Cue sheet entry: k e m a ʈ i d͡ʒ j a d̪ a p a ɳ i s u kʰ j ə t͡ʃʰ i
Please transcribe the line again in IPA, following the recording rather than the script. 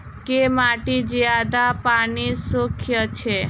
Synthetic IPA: k e m a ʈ i d͡ʒ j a d̪ a p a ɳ i s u kʰ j ə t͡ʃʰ e